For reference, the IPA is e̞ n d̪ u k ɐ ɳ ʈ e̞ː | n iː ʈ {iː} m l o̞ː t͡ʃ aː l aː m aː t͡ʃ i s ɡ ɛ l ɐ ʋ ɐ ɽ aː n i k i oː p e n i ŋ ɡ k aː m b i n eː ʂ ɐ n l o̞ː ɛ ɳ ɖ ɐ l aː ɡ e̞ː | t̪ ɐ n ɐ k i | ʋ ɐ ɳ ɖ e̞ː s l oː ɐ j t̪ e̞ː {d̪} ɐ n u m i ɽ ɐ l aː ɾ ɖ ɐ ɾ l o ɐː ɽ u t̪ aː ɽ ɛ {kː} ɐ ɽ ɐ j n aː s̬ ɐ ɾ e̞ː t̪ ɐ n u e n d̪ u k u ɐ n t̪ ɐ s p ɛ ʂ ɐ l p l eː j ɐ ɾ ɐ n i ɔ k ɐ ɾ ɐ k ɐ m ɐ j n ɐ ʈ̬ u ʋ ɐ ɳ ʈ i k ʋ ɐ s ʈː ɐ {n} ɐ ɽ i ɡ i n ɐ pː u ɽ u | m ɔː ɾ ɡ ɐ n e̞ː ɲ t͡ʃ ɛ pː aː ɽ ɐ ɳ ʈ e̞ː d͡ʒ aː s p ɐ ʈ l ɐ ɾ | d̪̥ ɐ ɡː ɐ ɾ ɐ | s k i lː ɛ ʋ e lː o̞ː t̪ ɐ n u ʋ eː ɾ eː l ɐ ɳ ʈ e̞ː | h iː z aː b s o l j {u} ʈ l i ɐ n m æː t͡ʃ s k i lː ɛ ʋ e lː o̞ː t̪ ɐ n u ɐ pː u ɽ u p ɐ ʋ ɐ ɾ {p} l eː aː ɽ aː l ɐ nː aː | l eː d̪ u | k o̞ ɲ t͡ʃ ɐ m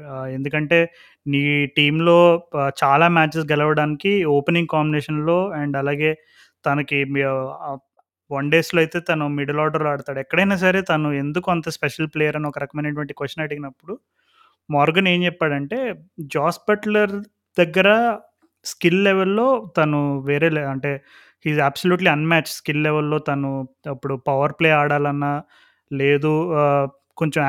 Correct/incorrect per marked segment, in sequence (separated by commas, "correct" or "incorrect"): correct, incorrect, correct, correct, incorrect, correct